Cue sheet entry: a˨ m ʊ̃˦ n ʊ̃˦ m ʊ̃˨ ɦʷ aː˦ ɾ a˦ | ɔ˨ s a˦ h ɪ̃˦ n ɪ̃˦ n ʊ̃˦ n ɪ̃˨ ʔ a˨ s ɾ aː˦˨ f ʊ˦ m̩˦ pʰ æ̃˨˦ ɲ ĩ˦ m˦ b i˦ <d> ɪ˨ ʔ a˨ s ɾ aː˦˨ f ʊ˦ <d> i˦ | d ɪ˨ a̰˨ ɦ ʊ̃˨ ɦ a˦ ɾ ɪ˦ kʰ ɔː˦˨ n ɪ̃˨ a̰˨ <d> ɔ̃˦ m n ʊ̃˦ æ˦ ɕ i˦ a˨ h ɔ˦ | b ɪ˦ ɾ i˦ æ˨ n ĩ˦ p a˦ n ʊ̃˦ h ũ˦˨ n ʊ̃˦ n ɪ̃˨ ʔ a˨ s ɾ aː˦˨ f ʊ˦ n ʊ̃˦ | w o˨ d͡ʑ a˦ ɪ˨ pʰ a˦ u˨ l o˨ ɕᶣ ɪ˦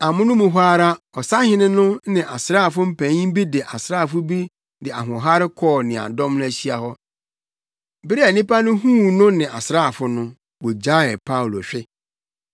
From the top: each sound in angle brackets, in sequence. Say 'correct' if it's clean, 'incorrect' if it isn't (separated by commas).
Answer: correct, incorrect, correct